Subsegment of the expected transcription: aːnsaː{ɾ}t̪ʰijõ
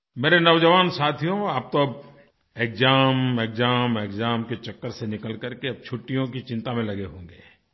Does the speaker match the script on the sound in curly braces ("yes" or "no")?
no